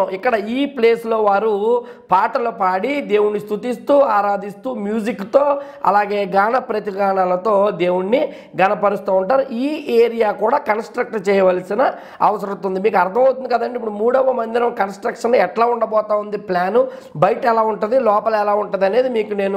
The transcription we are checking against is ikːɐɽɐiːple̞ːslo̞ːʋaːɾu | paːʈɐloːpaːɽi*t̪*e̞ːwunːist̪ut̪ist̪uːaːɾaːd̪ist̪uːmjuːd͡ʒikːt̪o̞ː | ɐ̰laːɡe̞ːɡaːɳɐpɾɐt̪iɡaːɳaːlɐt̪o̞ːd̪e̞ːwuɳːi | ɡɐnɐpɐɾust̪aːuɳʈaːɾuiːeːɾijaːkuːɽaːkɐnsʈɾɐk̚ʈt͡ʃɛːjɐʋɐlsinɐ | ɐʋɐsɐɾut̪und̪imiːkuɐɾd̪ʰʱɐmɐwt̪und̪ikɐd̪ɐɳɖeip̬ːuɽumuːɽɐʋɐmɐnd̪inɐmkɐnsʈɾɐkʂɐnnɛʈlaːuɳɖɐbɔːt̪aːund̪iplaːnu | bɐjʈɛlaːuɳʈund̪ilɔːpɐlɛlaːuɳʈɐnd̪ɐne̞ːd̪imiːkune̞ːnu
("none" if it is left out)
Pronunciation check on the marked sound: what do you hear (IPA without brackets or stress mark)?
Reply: d̪